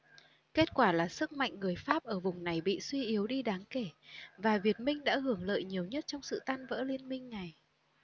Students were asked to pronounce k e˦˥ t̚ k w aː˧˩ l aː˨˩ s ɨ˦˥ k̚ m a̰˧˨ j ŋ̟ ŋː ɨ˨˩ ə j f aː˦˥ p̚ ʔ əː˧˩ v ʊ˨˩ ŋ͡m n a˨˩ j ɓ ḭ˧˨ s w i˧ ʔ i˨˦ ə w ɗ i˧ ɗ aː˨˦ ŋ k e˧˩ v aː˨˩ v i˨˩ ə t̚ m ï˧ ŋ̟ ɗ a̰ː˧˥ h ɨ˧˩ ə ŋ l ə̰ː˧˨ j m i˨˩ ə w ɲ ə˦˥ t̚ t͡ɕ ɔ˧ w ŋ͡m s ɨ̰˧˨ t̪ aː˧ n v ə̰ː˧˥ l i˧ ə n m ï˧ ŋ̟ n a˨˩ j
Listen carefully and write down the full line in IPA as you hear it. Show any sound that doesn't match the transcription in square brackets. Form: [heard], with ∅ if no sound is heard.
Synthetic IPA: k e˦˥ t̚ k w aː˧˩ l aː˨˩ s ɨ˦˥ k̚ m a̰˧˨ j ŋ̟ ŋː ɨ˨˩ ə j f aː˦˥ p̚ ʔ əː˧˩ v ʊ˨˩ ŋ͡m n a˨˩ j ɓ ḭ˧˨ s w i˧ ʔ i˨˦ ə w ɗ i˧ ɗ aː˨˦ ŋ k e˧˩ v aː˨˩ v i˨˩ ə t̚ m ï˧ ŋ̟ ɗ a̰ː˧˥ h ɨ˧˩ ə ŋ l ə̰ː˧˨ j [ɲ] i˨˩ ə w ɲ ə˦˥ t̚ t͡ɕ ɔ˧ w ŋ͡m s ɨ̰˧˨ t̪ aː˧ n v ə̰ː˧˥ l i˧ ə n m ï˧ ŋ̟ n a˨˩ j